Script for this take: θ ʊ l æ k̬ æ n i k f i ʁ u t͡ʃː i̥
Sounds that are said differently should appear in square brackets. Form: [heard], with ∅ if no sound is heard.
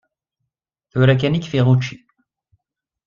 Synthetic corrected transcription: θ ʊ [ɾ] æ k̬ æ n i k f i ʁ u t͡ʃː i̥